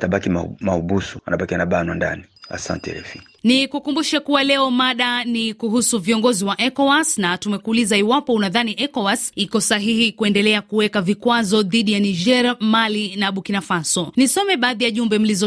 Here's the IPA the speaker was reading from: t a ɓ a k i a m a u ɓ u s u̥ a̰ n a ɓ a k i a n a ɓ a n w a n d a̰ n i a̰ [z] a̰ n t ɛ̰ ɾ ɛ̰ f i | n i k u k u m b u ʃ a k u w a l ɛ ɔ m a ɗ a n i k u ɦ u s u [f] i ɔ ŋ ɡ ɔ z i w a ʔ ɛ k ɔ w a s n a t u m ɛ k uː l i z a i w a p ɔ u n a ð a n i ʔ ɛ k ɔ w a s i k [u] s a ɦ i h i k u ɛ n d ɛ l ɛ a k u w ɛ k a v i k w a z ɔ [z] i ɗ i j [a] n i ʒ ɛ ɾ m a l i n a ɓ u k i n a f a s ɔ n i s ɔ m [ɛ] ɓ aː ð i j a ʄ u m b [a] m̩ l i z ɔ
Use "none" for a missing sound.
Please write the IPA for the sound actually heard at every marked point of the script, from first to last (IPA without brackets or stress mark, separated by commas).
s, v, ɔ, ð, a, ɛ, ɛ